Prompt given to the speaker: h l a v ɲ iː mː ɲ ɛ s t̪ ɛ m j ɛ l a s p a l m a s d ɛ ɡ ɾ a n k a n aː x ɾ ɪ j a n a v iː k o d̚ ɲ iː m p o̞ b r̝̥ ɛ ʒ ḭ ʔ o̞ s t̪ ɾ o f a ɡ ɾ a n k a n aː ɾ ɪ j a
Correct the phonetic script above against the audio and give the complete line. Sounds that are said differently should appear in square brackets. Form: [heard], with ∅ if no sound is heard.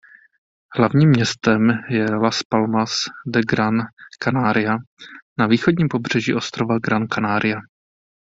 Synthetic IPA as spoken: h l a v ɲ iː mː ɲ ɛ s t̪ ɛ m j ɛ l a s p a l m a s d ɛ ɡ ɾ a n k a n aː [∅] ɾ ɪ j a n a v iː [x] o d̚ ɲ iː m p o̞ b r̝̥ ɛ ʒ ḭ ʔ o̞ s t̪ ɾ o [v] a ɡ ɾ a n k a n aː ɾ ɪ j a